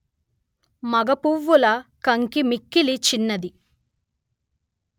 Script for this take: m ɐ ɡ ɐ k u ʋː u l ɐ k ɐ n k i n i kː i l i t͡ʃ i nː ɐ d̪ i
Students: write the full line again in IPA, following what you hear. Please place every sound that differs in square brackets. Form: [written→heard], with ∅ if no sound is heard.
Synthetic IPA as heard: m ɐ ɡ ɐ [k→p] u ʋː u l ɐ k ɐ [n→ŋ] k i [n→m] i kː i l i t͡ʃ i nː ɐ d̪ i

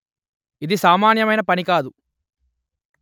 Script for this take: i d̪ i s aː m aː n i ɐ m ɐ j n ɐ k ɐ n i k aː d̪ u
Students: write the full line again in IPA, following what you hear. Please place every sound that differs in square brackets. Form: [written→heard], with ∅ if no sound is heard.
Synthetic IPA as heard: i d̪ i s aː m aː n [i→j] ɐ m ɐ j n ɐ [k→p] ɐ n i k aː d̪ u

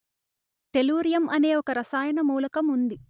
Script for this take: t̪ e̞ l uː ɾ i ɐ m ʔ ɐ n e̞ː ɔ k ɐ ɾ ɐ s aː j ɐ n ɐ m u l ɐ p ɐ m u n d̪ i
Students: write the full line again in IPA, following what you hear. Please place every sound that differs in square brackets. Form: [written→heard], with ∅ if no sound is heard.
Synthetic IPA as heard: t̪ e̞ l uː ɾ [i→j] ɐ m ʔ ɐ n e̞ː ɔ k ɐ ɾ ɐ s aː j ɐ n ɐ m [u→uː] l ɐ [p→k] ɐ m u n d̪ i

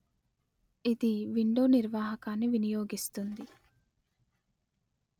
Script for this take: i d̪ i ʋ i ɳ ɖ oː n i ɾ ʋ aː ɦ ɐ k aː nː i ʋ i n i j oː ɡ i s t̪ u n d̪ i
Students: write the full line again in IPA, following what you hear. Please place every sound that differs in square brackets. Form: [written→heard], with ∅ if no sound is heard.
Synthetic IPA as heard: i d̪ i ʋ i ɳ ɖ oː n i ɾ ʋ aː ɦ ɐ k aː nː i ʋ i n i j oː ɡ i s t̪ u n d̪ i

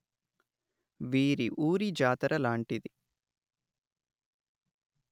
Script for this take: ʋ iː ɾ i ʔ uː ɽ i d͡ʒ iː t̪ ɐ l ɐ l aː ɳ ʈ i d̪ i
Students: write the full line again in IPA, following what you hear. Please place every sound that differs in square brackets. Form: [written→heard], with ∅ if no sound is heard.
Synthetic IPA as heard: ʋ iː ɾ i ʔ uː [ɽ→ɾ] i d͡ʒ [iː→aː] t̪ ɐ [l→ɾ] ɐ l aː ɳ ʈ i d̪ i

